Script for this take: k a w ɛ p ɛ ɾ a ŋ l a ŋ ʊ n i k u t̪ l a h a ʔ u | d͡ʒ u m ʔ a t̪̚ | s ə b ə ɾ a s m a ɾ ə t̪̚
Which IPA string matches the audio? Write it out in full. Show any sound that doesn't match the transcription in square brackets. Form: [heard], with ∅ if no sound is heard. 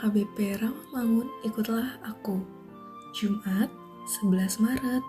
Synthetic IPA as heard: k a [b] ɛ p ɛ ɾ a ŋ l a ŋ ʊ n i k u t̪ l a h a [k] u | d͡ʒ u m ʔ a t̪̚ | s ə b ə [l] a s m a ɾ ə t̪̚